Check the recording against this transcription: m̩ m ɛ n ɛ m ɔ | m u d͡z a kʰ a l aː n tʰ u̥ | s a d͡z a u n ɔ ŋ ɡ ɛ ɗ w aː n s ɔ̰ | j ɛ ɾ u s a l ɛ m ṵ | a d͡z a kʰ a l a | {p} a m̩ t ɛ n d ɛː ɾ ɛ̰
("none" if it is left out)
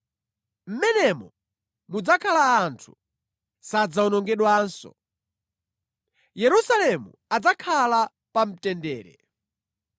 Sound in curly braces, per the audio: p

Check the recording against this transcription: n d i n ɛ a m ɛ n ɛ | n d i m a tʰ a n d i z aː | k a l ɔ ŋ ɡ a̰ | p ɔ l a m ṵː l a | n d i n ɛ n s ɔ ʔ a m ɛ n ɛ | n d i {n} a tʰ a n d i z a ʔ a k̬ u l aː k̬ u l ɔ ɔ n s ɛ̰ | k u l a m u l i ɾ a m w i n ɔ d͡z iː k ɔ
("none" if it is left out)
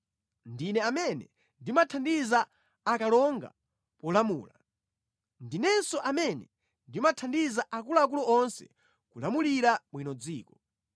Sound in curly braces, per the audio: m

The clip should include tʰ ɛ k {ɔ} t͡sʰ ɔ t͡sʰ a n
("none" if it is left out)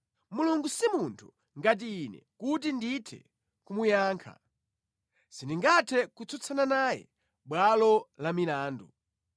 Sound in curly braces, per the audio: u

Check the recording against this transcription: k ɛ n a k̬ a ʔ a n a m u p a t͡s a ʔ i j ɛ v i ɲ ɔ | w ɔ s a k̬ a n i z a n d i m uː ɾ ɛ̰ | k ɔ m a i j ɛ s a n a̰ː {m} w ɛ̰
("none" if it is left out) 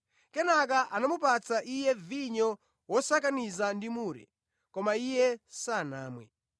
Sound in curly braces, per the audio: m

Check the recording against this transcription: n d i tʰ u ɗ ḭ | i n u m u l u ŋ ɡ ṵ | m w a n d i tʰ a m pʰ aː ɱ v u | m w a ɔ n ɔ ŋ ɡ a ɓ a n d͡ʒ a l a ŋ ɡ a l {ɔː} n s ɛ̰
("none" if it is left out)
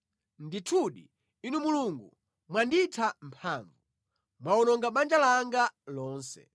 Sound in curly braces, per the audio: ɔː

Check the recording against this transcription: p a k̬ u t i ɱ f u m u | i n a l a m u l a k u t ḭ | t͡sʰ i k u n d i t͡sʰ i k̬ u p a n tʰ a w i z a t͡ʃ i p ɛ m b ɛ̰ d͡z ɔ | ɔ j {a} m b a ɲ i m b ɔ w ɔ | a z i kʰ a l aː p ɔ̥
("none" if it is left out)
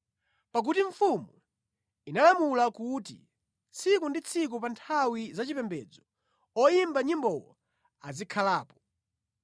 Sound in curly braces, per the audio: i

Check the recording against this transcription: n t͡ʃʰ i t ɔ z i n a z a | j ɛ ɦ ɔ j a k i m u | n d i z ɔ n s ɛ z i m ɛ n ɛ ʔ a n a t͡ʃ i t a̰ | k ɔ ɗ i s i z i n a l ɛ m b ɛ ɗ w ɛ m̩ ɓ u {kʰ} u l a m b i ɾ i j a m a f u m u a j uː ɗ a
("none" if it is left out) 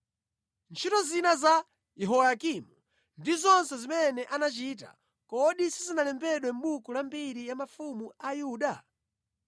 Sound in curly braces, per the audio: k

